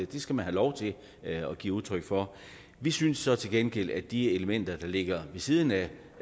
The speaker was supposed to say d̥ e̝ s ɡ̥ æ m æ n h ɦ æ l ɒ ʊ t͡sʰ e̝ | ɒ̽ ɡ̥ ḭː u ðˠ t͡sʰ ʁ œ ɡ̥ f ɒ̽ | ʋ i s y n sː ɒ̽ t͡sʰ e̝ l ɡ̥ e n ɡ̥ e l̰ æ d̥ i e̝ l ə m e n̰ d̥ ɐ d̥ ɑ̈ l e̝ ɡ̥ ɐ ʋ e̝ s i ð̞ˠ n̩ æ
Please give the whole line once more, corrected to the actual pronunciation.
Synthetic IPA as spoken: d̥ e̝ s ɡ̥ æ m æ n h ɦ æ l ɒ ʊ t͡sʰ e̝ | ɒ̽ ɡ̥ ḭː u ðˠ t͡sʰ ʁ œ ɡ̥ f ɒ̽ | ʋ i s y n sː ɒ̽ t͡sʰ e̝ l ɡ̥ e n ɡ̥ e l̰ æ d̥ i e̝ l ə m e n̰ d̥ ɐ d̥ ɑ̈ l e̝ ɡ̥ ɐ ʋ e̝ s i ð̞ˠ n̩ æ